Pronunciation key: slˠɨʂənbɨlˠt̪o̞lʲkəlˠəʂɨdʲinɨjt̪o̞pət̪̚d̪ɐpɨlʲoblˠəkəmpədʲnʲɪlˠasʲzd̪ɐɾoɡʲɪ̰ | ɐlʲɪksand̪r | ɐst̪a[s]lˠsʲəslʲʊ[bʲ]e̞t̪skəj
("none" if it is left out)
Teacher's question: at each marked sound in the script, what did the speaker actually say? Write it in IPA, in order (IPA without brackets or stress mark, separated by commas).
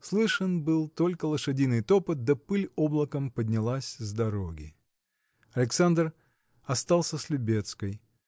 none, bʲ